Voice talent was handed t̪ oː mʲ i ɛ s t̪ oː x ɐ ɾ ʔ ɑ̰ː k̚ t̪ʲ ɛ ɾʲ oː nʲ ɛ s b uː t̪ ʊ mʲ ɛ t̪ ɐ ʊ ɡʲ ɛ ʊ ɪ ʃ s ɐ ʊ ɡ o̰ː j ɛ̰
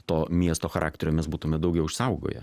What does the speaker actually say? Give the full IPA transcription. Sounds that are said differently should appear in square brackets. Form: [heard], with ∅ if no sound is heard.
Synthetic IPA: t̪ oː mʲ i ɛ s t̪ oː x ɐ ɾ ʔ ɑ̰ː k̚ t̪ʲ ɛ ɾʲ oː [mʲ] ɛ s b uː t̪ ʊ mʲ ɛ [d̪] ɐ ʊ ɡʲ ɛ ʊ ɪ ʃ s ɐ ʊ ɡ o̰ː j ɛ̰

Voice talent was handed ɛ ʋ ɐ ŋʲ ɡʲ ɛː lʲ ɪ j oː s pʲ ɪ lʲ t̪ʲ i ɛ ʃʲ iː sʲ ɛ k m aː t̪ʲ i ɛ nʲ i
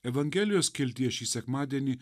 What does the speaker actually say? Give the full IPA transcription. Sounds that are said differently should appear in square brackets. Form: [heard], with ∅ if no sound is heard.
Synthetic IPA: ɛ ʋ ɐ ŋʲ ɡʲ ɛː lʲ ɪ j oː s [kʲ] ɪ lʲ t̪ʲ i ɛ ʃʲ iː sʲ ɛ k m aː [d̪ʲ] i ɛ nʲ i

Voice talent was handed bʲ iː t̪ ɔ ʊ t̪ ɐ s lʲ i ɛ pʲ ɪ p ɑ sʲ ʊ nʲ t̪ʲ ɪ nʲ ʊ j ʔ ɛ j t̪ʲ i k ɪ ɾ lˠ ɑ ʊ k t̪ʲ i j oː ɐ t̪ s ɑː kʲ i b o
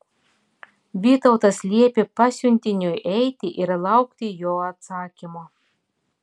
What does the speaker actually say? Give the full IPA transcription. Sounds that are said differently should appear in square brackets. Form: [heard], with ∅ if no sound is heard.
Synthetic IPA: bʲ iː t̪ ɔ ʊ t̪ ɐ s lʲ i ɛ pʲ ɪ p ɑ sʲ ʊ nʲ t̪ʲ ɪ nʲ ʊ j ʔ ɛ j t̪ʲ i [ʔ] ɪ ɾ lˠ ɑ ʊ k t̪ʲ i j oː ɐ t̪ s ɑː kʲ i [m] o

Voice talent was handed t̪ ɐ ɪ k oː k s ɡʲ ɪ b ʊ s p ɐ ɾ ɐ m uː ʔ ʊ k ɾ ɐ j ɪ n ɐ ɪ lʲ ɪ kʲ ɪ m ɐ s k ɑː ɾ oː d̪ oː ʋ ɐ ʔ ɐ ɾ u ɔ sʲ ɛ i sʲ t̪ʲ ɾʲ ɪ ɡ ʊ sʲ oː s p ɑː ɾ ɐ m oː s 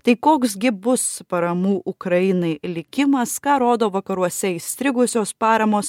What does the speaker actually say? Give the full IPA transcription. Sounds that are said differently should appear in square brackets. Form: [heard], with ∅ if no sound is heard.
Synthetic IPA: t̪ ɐ ɪ k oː k s ɡʲ ɪ b ʊ s p ɐ ɾ ɐ m uː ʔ ʊ k ɾ ɐ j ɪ n ɐ ɪ lʲ ɪ kʲ ɪ m ɐ s k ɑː ɾ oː d̪ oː ʋ ɐ [k] ɐ ɾ u ɔ sʲ ɛ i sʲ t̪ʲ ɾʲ ɪ ɡ ʊ sʲ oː s p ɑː ɾ ɐ m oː s

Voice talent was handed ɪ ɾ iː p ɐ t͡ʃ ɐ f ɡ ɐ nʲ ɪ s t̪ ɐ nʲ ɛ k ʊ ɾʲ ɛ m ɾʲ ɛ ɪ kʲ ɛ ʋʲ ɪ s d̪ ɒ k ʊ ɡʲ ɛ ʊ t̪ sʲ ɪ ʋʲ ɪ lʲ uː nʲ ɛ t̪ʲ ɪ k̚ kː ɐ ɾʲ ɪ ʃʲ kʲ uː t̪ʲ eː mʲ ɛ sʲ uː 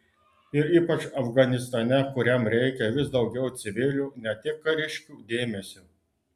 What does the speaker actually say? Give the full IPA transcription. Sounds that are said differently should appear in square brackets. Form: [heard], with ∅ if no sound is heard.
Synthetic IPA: ɪ ɾ iː p ɐ t͡ʃ ɐ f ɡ ɐ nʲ ɪ s t̪ ɐ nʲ ɛ k ʊ ɾʲ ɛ m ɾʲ ɛ ɪ kʲ ɛ ʋʲ ɪ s d̪ ɒ [∅] ʊ ɡʲ ɛ ʊ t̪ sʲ ɪ ʋʲ ɪ lʲ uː nʲ ɛ t̪ʲ ɪ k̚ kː ɐ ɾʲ ɪ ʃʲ kʲ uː [d̪ʲ] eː mʲ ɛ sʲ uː

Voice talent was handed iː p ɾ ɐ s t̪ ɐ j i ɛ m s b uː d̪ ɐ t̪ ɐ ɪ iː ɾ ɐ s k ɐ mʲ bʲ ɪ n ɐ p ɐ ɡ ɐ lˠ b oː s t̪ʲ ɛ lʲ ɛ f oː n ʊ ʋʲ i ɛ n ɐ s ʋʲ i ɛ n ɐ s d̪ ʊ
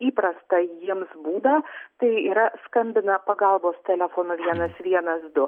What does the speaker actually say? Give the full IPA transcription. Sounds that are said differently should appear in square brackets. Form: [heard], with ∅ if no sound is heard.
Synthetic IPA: iː p ɾ ɐ s t̪ ɐ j i ɛ m s b uː d̪ ɐ t̪ ɐ ɪ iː ɾ ɐ s k ɐ mʲ bʲ ɪ n ɐ p ɐ ɡ ɐ lˠ b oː s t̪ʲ ɛ lʲ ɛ f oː n ʊ ʋʲ i ɛ n ɐ s ʋʲ i ɛ n ɐ s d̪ ʊ

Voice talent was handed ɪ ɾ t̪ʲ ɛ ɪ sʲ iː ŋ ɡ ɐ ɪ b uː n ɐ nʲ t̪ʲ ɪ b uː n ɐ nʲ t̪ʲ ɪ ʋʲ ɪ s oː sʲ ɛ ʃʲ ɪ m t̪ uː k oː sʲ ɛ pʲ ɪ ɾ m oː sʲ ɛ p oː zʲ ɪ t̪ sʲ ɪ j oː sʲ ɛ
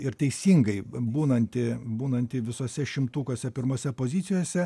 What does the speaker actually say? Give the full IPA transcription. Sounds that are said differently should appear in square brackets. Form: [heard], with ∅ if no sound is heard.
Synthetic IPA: ɪ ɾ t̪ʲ ɛ ɪ sʲ iː ŋ ɡ ɐ ɪ b uː n ɐ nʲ t̪ʲ ɪ b uː n ɐ nʲ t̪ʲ ɪ ʋʲ ɪ s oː sʲ ɛ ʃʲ ɪ m t̪ uː k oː sʲ ɛ pʲ ɪ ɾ m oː sʲ ɛ p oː zʲ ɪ t̪ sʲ ɪ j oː sʲ ɛ

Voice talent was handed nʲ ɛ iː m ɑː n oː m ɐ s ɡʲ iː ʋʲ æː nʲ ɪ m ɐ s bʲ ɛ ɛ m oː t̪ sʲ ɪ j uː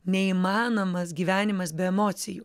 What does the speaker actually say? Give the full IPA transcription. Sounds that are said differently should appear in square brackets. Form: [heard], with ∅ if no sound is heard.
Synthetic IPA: nʲ ɛ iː m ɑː n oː m ɐ s ɡʲ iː ʋʲ æː nʲ ɪ m ɐ s bʲ ɛ ɛ m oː t̪ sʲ ɪ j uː

